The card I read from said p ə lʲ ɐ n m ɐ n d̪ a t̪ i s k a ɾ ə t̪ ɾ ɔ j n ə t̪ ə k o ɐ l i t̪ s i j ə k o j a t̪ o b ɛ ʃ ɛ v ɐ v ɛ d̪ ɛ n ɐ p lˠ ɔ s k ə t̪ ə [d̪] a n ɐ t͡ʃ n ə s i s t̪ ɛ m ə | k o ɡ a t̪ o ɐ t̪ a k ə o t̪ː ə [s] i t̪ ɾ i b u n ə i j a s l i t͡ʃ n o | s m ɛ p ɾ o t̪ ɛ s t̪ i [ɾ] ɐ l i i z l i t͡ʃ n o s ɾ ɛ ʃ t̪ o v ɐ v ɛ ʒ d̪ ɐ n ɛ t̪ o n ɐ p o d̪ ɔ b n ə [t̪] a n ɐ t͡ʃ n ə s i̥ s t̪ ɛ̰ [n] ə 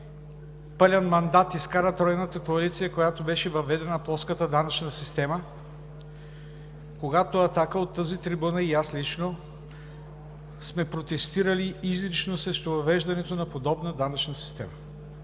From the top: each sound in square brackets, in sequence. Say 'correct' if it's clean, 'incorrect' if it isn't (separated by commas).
correct, incorrect, correct, incorrect, incorrect